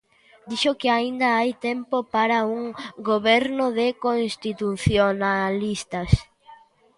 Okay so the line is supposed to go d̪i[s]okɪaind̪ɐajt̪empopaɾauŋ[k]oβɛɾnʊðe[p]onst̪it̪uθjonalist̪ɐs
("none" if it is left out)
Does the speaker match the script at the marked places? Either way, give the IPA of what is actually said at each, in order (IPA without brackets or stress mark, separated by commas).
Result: ʃ, ɡ, k